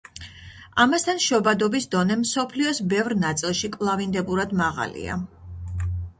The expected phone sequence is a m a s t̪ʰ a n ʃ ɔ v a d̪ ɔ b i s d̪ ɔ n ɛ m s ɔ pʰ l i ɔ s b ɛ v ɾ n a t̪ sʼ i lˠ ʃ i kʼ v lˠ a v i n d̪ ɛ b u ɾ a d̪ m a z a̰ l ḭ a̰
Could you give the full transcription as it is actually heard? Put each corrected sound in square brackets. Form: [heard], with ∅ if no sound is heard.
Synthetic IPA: a m a s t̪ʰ a n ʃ ɔ [b] a d̪ ɔ b i s d̪ ɔ n ɛ m s ɔ pʰ l i ɔ s b ɛ v ɾ n a t̪ sʼ i lˠ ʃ i kʼ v lˠ a v i n d̪ ɛ b u ɾ a d̪ m a [ʁ] a̰ l ḭ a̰